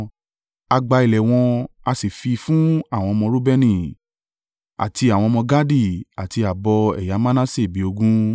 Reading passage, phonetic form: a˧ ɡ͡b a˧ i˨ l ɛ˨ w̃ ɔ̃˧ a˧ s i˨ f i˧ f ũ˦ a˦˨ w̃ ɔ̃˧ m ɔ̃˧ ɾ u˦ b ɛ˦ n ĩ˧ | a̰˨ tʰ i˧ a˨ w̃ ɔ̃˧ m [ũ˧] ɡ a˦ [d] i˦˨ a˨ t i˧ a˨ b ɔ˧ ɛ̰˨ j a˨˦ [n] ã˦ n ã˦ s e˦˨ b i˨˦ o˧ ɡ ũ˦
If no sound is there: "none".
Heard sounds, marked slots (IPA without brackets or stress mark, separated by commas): ɔ̃˧, d, m